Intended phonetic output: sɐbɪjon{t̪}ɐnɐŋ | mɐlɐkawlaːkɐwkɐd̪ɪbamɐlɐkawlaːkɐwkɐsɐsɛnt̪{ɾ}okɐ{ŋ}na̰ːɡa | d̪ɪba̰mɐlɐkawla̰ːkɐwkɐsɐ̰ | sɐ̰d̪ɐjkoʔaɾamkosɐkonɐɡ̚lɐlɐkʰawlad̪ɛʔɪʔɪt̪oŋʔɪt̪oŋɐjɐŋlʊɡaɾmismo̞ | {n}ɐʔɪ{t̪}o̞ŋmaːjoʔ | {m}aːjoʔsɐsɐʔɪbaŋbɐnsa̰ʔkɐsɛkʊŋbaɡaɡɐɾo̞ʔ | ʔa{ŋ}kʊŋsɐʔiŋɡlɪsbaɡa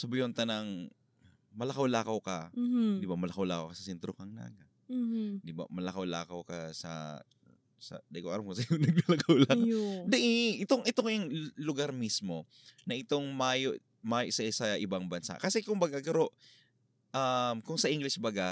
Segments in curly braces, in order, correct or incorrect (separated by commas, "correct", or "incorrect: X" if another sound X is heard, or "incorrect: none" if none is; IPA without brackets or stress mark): correct, correct, correct, correct, correct, correct, incorrect: m